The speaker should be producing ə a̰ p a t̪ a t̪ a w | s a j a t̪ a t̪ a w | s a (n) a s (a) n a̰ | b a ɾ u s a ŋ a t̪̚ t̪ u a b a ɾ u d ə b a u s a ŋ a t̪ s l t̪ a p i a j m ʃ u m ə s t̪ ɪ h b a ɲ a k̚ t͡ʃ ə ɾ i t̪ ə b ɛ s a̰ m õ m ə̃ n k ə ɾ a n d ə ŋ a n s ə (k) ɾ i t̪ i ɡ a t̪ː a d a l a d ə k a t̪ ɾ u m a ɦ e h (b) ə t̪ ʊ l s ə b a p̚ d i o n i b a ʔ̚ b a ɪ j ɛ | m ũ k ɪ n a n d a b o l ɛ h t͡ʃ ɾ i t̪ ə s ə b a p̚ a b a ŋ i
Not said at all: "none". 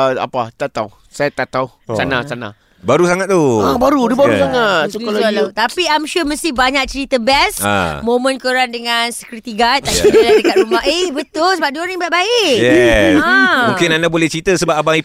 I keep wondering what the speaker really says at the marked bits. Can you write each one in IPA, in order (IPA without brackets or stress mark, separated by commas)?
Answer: n, a, k, b